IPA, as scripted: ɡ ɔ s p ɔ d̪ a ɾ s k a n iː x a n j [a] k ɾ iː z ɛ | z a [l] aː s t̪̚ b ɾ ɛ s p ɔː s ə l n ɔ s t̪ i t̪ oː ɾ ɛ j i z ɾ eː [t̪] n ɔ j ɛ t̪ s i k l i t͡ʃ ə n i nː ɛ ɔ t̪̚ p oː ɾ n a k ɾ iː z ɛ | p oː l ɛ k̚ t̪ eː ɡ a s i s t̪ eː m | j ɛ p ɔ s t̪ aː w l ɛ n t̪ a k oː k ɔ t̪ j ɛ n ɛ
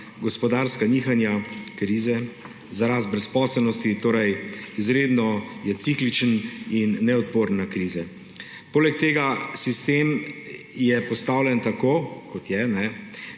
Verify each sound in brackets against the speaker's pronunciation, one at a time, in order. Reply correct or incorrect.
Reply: correct, incorrect: ɾ, incorrect: d̪

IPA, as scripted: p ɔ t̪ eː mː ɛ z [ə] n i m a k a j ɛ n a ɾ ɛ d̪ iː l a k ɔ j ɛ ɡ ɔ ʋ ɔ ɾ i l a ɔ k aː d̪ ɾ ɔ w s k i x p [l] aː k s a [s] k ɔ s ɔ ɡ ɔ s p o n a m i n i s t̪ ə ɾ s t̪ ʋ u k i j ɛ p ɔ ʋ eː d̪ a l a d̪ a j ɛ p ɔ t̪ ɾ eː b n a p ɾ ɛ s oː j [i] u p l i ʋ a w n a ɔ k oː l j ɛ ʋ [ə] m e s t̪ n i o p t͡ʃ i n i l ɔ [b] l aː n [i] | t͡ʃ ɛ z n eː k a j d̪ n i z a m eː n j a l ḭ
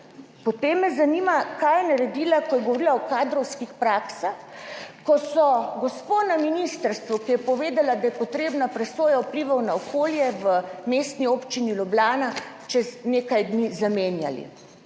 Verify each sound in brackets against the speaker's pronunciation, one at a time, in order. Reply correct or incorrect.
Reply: incorrect: a, incorrect: ɾ, incorrect: x, incorrect: a, correct, correct, incorrect: a

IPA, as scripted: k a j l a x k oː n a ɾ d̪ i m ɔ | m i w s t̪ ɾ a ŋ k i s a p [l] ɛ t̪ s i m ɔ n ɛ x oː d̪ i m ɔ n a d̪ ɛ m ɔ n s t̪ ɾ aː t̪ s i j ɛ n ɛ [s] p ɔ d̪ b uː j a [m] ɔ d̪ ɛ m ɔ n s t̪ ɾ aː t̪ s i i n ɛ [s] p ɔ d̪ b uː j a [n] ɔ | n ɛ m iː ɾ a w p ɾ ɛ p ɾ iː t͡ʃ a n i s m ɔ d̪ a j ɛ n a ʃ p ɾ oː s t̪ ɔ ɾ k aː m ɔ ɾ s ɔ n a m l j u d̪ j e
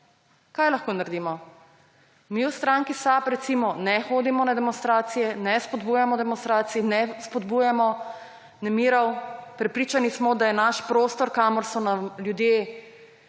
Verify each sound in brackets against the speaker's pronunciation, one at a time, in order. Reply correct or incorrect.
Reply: incorrect: ɾ, correct, correct, correct, incorrect: m

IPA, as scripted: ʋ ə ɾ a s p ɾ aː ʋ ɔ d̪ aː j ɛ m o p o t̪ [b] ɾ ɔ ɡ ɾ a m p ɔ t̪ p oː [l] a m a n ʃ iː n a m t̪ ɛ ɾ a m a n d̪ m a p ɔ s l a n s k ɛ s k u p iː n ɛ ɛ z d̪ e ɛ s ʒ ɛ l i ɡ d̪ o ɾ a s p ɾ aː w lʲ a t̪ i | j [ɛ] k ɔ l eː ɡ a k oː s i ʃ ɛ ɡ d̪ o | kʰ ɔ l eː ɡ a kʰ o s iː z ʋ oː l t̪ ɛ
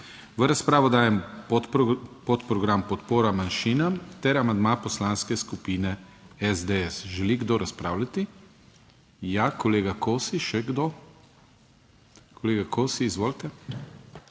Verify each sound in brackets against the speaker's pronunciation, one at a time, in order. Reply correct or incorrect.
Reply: incorrect: p, incorrect: ɾ, incorrect: a

